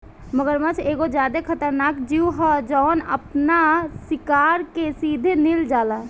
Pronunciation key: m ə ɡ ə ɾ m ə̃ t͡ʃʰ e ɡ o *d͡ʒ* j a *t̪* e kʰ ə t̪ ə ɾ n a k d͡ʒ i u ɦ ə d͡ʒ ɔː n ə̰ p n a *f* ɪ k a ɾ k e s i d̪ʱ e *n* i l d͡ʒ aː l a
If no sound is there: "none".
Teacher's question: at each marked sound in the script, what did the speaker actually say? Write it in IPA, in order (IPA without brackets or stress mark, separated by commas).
d͡ʒ, d̪, s, n